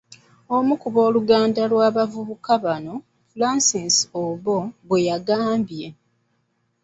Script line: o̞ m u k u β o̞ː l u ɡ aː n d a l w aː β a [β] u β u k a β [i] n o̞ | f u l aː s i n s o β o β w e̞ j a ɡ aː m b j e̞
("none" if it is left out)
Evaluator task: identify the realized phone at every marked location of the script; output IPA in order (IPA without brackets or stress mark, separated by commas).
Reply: v, a